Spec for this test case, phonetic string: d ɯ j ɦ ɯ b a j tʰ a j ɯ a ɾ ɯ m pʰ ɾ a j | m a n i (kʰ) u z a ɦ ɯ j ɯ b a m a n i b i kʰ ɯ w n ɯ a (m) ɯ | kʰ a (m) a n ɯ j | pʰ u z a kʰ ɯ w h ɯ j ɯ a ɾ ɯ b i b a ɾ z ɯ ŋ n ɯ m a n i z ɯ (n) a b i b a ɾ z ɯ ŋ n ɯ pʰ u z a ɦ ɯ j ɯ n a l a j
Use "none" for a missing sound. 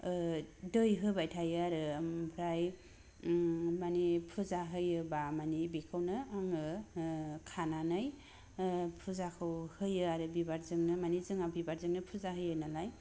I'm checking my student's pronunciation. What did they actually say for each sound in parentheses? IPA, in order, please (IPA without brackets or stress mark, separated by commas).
pʰ, ŋ, n, ŋ